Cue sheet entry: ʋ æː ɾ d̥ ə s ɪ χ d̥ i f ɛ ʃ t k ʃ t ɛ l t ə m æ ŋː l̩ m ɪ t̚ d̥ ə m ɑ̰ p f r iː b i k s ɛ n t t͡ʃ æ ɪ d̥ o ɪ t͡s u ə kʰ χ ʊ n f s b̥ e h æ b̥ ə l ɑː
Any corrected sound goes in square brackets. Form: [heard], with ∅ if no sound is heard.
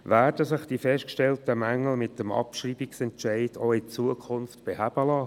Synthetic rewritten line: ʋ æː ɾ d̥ ə s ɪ χ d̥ i f ɛ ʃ t k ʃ t ɛ l t ə m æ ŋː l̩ m ɪ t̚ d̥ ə m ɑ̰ p [ʃ] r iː b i k s ɛ n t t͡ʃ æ ɪ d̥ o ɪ t͡s u ə kʰ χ ʊ n f [t] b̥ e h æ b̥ ə l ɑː